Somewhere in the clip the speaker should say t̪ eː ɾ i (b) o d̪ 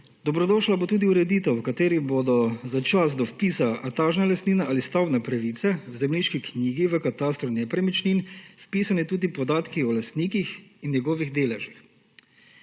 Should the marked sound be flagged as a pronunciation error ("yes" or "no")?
no